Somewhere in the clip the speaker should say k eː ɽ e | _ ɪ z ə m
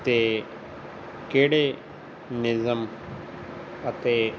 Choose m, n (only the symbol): n